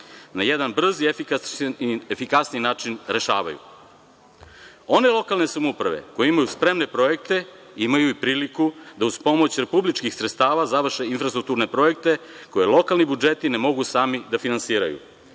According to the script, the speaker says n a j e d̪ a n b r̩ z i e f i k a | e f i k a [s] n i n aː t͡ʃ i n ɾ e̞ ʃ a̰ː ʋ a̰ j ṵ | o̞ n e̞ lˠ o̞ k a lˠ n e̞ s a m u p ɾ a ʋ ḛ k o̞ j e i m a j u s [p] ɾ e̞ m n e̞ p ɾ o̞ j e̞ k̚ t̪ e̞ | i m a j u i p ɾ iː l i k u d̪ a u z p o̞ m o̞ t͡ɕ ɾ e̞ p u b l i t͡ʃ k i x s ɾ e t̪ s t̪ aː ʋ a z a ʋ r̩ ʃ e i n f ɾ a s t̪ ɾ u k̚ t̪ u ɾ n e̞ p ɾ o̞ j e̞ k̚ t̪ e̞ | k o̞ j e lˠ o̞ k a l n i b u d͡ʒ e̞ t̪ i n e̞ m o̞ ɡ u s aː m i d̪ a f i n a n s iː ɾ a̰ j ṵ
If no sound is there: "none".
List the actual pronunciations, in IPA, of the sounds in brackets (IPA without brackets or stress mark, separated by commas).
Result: s, p